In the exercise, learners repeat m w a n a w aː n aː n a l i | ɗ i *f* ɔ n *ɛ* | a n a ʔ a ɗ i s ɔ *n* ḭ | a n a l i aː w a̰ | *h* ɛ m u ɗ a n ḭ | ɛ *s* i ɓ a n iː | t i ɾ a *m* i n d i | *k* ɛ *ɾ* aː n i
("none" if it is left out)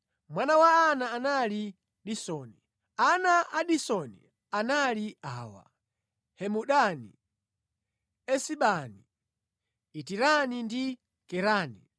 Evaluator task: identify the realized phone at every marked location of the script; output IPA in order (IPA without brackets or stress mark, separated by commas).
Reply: s, i, n, h, s, n, k, ɾ